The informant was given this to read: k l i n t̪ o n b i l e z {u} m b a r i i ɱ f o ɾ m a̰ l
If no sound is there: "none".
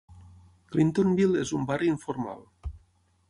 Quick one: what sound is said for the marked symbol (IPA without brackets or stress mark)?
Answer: u